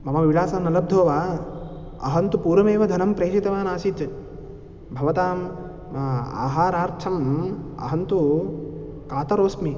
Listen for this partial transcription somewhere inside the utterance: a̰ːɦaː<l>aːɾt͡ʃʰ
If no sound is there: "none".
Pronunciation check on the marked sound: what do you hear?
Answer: ɾ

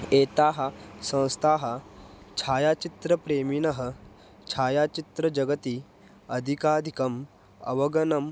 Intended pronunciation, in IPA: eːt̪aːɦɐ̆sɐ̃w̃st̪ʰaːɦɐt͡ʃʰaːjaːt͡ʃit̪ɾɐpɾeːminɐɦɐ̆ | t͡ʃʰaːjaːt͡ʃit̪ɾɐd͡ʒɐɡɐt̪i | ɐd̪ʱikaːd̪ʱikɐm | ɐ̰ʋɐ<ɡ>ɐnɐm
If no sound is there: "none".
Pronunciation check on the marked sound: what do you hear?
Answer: ɡ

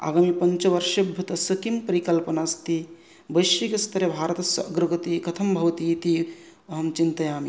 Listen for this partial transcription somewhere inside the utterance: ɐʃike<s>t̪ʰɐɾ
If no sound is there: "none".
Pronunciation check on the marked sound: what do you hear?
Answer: s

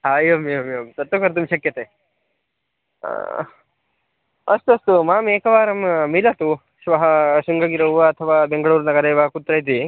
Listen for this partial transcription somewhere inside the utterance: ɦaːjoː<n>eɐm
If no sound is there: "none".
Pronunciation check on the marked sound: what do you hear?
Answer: m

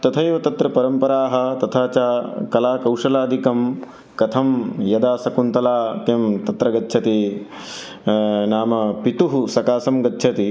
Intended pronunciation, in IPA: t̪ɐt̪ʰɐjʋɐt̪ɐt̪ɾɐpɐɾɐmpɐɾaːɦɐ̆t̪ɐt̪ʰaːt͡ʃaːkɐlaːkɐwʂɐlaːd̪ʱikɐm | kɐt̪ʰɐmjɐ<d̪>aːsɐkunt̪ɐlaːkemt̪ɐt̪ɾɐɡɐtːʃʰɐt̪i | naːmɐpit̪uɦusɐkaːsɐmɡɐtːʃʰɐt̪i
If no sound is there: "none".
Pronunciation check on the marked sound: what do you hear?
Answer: d̪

